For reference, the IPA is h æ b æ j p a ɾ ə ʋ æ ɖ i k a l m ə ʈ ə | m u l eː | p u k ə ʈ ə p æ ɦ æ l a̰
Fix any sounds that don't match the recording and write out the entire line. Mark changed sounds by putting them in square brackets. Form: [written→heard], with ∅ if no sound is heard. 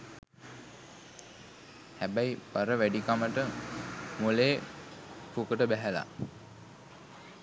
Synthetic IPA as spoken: h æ b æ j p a ɾ ə ʋ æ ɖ i k a [l→∅] m ə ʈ ə | m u l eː | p u k ə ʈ ə [p→b] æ ɦ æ l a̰